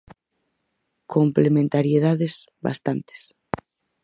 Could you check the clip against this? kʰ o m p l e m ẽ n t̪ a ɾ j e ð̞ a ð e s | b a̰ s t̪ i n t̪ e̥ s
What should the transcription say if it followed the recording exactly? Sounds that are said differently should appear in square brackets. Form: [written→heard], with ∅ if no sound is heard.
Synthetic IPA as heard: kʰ o m p l e m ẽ n t̪ a ɾ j e ð̞ a ð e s | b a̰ s t̪ [i→a] n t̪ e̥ s